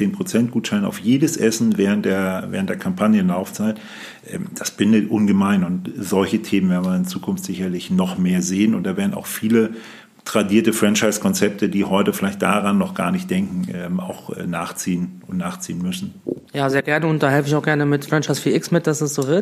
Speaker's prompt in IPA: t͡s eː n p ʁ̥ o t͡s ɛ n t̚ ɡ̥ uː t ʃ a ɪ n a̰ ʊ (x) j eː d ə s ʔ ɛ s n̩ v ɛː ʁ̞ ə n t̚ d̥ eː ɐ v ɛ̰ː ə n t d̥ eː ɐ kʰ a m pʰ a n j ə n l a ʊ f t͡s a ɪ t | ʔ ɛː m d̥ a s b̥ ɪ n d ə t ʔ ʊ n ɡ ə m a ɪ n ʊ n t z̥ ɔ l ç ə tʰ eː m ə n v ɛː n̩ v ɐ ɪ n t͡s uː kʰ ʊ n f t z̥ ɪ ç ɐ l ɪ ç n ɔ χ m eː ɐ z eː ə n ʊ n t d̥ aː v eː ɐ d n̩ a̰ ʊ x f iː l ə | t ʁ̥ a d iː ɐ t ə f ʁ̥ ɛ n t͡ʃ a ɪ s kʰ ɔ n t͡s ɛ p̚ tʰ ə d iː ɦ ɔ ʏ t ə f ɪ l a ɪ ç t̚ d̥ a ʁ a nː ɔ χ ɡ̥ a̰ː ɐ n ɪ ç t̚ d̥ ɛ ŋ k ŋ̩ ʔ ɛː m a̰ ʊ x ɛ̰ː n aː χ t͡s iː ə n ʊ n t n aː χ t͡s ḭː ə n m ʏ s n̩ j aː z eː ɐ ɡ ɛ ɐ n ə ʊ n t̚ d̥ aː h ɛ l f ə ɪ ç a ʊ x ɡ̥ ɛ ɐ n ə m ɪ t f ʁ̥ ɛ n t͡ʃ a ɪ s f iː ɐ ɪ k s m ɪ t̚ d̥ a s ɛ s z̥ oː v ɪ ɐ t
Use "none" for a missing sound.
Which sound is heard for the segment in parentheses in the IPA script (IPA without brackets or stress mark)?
f